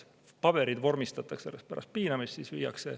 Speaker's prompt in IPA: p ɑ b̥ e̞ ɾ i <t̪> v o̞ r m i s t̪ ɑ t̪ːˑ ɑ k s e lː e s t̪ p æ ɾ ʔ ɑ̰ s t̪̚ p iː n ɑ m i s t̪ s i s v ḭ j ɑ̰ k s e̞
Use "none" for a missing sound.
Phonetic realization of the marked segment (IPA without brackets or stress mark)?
d̪